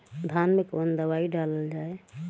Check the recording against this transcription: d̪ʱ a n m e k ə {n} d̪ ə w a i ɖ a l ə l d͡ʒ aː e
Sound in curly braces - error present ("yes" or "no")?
no